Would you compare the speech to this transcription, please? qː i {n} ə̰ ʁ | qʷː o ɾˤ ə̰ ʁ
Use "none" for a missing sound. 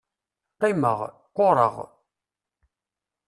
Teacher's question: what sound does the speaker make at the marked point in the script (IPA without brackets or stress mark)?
m